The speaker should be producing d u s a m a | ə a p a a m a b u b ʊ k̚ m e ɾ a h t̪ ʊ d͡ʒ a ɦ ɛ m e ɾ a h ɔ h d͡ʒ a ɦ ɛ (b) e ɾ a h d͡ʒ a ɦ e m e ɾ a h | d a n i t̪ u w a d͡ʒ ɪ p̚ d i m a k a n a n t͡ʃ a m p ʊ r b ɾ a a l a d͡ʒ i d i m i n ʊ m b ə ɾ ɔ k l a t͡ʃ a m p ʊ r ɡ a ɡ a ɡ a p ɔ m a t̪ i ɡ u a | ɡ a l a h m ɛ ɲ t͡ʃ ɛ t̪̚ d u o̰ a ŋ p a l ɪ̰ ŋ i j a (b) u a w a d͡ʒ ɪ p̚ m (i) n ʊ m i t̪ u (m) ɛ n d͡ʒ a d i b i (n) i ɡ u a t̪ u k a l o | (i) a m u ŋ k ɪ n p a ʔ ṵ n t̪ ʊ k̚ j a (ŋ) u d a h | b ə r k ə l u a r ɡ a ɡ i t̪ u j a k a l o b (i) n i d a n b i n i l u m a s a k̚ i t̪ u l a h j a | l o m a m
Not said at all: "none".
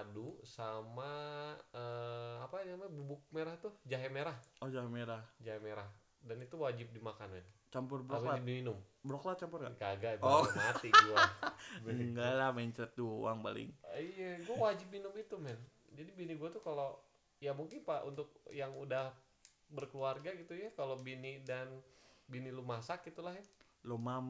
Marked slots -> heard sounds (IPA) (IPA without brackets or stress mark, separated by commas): m, ɡ, i, m, n, j, ŋ, i